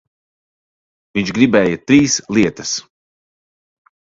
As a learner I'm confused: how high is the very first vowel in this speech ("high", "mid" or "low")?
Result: high